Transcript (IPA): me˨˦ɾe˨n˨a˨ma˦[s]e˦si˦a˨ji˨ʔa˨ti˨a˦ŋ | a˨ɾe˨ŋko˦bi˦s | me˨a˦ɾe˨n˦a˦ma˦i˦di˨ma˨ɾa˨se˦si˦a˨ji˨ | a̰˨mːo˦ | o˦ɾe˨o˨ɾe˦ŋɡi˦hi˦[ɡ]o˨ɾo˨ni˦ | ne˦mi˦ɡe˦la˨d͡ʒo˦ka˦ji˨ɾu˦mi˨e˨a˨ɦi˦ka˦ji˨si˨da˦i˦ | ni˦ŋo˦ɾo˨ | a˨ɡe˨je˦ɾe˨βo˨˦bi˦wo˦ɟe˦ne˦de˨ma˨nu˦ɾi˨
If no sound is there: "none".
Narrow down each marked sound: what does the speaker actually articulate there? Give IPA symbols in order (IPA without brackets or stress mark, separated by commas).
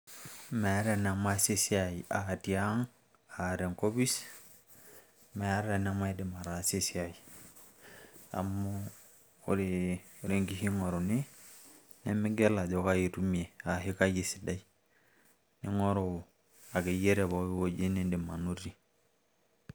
s, ŋ